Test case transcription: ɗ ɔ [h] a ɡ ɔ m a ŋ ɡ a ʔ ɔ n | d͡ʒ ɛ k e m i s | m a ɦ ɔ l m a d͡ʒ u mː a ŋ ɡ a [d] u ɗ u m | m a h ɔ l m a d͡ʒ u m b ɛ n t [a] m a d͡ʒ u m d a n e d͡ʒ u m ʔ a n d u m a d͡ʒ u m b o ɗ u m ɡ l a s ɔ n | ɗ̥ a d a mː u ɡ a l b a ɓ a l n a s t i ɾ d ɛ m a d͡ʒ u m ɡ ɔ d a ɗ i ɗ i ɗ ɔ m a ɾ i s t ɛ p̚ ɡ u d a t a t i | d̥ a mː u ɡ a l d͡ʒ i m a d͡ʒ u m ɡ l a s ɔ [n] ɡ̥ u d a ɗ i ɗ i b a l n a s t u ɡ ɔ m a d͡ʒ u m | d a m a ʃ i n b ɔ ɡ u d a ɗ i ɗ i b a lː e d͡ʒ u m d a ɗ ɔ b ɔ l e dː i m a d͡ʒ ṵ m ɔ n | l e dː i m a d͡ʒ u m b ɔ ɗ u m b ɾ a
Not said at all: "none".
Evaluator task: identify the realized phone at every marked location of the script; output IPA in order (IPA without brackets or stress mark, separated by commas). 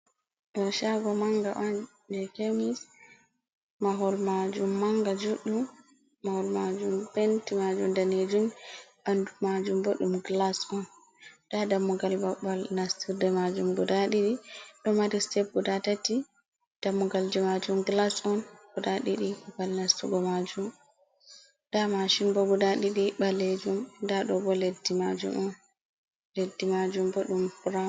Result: ʃ, d͡ʒ, i, n